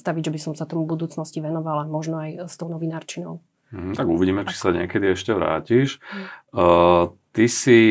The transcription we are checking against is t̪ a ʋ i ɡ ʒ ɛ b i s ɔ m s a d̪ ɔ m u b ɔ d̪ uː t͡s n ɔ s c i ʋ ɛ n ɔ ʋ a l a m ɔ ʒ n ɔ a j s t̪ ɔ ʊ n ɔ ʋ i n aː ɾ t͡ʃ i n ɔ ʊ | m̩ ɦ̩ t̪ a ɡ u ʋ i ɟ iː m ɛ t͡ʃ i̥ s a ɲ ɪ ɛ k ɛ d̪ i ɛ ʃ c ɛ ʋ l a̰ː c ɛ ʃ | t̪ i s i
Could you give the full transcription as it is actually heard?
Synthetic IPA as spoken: t̪ a ʋ i ɟ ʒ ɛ b i s ɔ m s a t̪ ɔ m u b u d̪ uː t͡s n ɔ s c i ʋ ɛ n ɔ ʋ a l a m ɔ ʒ n ɔ a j s t̪ ɔ ʊ n ɔ ʋ i n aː ɾ t͡ʃ i n ɔ ʊ | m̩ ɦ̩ t̪ a ɡ u ʋ i ɟ iː m ɛ t͡ʃ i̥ s a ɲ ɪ ɛ k ɛ d̪ i ɛ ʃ c ɛ ʋ ɾ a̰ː c i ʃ | t̪ i s i